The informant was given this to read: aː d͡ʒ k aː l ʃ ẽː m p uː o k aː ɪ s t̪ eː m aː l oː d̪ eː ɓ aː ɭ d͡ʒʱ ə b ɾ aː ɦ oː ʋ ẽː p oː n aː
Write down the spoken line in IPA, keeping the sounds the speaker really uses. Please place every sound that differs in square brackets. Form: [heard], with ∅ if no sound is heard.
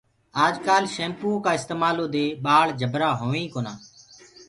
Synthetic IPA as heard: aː d͡ʒ k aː l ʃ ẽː m p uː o k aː ɪ s t̪ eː m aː l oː d̪ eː ɓ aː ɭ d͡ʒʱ ə b ɾ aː ɦ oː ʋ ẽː [k] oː n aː